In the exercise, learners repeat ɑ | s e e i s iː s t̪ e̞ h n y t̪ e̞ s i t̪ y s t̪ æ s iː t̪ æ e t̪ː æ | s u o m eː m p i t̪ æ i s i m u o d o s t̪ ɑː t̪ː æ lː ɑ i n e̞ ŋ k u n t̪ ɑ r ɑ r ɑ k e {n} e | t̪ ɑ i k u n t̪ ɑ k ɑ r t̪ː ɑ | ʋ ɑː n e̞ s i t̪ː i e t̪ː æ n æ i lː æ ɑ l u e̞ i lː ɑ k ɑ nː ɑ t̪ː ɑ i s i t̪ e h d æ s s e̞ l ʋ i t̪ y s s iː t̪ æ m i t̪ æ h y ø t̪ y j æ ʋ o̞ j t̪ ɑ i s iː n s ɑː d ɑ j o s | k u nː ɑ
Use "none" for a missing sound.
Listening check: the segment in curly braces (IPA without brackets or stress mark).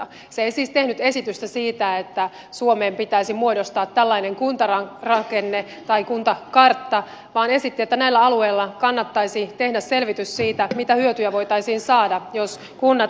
nː